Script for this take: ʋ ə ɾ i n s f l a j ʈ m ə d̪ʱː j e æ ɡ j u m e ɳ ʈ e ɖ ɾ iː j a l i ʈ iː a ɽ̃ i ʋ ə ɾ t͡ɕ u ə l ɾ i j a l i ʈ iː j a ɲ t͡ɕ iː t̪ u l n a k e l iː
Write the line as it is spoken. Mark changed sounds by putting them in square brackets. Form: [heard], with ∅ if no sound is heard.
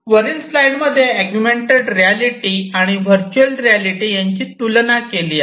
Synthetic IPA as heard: ʋ ə ɾ i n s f l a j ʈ m ə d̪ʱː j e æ ɡ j u m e ɳ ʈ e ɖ ɾ [i] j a l i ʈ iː a ɽ̃ i ʋ ə ɾ t͡ɕ u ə l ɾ i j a l i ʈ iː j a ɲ t͡ɕ iː t̪ u l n a k e l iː